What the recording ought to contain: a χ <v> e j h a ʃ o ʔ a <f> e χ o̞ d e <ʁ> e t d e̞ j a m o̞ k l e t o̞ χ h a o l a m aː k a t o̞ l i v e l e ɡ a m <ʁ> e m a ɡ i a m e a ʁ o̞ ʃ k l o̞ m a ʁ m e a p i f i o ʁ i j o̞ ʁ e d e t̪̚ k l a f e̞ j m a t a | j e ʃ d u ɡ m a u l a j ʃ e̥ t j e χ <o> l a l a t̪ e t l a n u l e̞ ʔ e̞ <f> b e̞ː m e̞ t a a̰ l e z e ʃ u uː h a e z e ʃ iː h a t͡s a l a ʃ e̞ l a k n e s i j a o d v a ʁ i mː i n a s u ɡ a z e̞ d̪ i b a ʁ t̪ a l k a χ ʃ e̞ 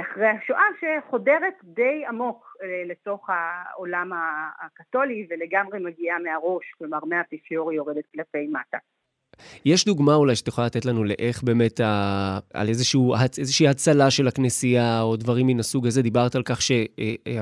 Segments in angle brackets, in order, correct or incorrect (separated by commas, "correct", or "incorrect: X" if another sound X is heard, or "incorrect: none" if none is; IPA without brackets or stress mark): incorrect: ʁ, incorrect: ʃ, correct, correct, correct, incorrect: χ